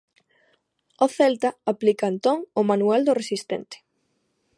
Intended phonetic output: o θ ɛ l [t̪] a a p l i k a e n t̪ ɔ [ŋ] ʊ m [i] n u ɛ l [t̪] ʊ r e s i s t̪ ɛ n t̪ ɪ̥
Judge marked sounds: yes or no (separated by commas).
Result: yes, yes, no, no